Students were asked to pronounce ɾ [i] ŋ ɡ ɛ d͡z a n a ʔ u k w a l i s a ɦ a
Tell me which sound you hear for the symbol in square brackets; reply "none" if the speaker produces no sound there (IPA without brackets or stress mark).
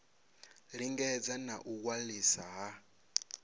i